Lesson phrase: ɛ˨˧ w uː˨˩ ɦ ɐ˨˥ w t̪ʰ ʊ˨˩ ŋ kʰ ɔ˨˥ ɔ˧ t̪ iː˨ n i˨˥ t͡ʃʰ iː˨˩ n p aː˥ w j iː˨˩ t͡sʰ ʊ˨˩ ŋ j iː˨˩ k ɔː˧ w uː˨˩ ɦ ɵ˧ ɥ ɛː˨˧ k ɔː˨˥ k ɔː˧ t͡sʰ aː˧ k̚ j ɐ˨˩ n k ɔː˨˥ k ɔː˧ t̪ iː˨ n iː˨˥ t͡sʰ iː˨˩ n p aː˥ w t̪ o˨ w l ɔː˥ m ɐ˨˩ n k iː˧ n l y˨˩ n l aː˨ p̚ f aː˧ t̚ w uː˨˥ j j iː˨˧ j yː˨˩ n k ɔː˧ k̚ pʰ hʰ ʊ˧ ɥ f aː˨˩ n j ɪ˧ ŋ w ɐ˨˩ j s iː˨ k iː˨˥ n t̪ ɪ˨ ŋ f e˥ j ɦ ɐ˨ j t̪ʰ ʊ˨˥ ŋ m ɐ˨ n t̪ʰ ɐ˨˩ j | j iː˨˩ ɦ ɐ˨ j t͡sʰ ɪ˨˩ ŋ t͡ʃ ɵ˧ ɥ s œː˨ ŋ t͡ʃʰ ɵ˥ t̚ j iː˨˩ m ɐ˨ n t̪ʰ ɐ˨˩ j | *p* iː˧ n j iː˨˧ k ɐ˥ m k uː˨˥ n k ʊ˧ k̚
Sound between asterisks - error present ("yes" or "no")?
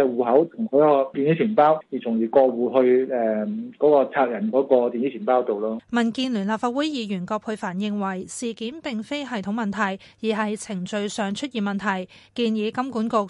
yes